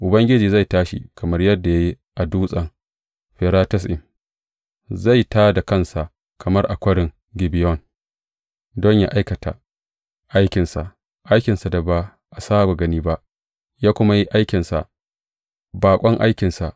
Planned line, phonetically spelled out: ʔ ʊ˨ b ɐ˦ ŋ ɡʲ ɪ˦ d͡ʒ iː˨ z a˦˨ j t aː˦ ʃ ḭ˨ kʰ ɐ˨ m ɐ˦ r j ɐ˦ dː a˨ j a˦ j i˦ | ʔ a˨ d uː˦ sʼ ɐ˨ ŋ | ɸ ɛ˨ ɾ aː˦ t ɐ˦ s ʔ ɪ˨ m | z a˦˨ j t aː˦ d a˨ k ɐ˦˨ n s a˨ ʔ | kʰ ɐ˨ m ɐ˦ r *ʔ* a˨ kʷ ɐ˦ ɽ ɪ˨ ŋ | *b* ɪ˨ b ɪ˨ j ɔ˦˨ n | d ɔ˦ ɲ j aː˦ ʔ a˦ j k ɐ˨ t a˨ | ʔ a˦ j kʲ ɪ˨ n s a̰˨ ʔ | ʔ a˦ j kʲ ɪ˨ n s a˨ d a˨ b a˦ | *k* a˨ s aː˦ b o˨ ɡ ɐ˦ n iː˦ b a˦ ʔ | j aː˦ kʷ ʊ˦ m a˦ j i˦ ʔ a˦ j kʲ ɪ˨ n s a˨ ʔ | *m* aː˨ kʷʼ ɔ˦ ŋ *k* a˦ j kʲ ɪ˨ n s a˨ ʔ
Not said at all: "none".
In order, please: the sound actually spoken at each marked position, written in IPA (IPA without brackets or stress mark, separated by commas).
ʔ, ɡ, ʔ, b, ʔ